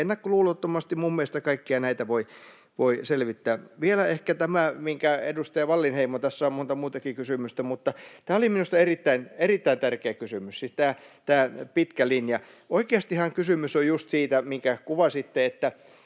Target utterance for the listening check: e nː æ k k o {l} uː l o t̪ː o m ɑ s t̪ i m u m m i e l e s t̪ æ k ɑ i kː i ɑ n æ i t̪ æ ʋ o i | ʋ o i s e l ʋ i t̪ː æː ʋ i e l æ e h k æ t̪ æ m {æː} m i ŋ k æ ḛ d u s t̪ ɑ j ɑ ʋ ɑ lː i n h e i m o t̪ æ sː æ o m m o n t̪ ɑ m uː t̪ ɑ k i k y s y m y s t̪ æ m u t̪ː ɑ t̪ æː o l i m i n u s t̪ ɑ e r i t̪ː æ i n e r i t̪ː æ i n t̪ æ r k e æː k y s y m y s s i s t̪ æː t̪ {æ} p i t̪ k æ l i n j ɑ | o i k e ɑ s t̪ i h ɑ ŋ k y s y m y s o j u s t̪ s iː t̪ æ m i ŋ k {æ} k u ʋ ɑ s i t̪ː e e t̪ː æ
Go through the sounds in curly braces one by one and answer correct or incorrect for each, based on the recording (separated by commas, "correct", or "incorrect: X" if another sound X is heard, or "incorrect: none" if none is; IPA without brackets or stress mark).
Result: correct, incorrect: æ, incorrect: æː, correct